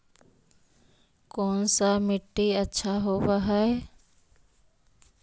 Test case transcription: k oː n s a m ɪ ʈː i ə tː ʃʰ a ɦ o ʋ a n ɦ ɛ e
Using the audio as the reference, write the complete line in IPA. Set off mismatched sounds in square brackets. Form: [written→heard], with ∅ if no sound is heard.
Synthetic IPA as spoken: k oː n s a m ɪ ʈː i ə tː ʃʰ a ɦ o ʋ a [n→∅] ɦ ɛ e